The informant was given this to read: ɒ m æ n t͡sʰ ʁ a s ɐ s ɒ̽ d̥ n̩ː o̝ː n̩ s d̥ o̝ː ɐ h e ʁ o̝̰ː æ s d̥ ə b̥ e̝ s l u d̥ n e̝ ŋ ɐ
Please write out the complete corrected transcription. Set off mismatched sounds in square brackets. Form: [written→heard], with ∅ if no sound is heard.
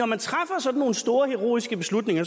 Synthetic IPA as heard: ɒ m æ n t͡sʰ ʁ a [s→f] ɐ s ɒ̽ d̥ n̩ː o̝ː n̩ s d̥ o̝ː ɐ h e ʁ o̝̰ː [æ→i] s [d̥→ɡ̥] ə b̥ e̝ s l u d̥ n e̝ ŋ ɐ